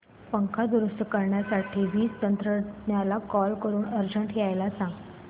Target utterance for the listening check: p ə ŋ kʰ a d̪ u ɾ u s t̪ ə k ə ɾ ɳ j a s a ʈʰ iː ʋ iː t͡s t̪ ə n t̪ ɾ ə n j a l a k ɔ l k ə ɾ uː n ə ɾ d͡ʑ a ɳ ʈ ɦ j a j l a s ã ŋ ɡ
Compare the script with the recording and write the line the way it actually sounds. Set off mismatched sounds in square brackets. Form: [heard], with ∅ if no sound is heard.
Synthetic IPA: p ə ŋ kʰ a d̪ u ɾ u s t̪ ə k ə ɾ ɳ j a s a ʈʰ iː ʋ iː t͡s t̪ ə n t̪ ɾ ə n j a l a k ɔ l k ə ɾ uː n ə ɾ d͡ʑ [ə] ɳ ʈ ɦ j a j l a s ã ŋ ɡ